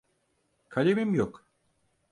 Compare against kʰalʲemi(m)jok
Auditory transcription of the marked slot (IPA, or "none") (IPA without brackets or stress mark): m